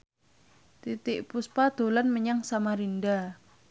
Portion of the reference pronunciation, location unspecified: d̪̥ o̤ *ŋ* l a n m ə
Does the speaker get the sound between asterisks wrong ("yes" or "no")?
yes